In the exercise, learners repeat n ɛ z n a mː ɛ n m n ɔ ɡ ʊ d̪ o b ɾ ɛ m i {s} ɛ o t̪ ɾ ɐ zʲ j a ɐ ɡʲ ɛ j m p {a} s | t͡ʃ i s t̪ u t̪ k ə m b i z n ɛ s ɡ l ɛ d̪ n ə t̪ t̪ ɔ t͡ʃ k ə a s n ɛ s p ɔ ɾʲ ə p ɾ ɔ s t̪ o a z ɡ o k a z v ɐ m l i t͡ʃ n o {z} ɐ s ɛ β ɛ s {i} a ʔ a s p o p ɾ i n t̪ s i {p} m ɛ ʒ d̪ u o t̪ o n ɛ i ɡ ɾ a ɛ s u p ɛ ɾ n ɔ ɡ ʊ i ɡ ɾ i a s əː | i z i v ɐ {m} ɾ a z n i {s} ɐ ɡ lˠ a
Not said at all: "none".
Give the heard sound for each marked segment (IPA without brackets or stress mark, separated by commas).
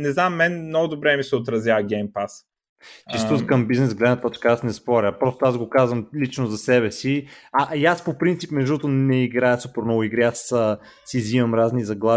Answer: s, a, z, i, p, m, z